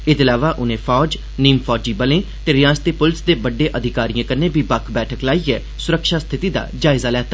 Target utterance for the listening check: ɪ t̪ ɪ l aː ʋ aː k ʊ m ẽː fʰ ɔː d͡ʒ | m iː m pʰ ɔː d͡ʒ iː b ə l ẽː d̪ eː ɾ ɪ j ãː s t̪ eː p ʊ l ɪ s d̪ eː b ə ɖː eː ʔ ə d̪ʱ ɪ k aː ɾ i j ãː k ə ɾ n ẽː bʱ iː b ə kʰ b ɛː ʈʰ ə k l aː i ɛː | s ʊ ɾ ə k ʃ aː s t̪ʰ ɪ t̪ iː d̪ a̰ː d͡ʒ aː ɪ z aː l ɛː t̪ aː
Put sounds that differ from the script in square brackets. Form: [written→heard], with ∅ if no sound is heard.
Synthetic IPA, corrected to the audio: ɪ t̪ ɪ l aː ʋ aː [k→ʔ] ʊ [m→n] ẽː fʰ ɔː d͡ʒ | [m→n] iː m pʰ ɔː d͡ʒ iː b ə l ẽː [d̪→t̪] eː ɾ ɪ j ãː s t̪ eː p ʊ l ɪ s d̪ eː b ə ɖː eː ʔ ə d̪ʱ ɪ k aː ɾ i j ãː k ə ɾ n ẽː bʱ iː b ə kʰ b ɛː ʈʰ ə k l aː i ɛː | s ʊ ɾ ə k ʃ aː s t̪ʰ ɪ t̪ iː d̪ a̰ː d͡ʒ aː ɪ z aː l ɛː t̪ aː